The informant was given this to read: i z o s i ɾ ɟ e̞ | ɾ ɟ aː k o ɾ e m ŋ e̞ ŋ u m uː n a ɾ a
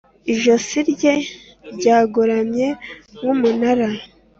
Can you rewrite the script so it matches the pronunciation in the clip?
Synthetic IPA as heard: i ʒ o s i ɾ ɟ e̞ | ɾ ɟ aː ɡ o ɾ a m ɲ e̞ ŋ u m u n a ɾ a